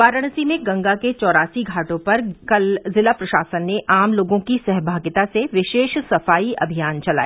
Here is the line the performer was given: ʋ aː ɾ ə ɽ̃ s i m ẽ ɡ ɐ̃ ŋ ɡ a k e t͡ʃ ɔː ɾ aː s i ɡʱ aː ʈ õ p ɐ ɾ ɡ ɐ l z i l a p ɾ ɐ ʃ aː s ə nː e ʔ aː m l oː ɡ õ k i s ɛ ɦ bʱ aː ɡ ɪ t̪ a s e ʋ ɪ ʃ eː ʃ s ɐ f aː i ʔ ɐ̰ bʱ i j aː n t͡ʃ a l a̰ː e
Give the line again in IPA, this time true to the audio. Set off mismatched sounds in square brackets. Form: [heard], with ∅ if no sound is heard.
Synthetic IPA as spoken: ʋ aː ɾ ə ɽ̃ s i m ẽ ɡ ɐ̃ ŋ ɡ a k e t͡ʃ ɔː ɾ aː s i ɡʱ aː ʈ õ p ɐ ɾ [k] ɐ l z [ɪ] l a p ɾ ɐ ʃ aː s ə nː e ʔ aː m l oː ɡ õ k i s ɛ ɦ bʱ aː ɡ ɪ t̪ a s e ʋ ɪ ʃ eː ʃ s ɐ f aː i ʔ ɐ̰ bʱ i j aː n t͡ʃ [ɐ] l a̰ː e